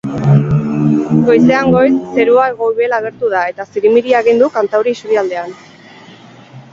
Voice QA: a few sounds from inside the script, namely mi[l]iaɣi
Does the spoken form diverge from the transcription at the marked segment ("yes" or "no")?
yes